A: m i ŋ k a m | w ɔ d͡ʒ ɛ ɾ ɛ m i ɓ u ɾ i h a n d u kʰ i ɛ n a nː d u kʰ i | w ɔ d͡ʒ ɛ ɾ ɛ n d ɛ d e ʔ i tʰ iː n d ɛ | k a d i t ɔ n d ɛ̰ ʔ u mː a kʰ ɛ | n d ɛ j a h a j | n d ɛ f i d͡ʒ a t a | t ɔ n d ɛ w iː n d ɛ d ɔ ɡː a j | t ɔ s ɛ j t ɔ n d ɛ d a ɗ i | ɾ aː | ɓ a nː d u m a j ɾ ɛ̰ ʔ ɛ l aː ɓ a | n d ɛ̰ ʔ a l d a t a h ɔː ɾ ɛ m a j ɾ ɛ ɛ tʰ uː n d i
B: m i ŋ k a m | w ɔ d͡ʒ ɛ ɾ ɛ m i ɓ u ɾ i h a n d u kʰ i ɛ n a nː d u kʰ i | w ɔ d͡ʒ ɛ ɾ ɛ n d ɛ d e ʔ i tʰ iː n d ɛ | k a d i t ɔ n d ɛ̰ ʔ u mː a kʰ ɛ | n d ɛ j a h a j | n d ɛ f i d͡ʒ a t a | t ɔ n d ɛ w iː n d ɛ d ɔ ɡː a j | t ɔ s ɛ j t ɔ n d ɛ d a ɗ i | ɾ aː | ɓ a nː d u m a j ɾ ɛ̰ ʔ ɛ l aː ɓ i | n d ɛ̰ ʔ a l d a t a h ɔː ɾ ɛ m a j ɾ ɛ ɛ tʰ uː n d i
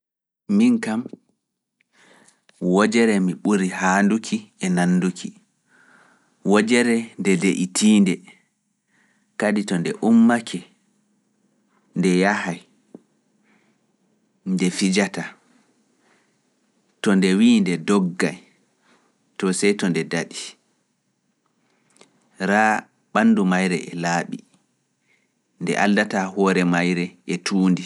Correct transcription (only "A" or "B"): B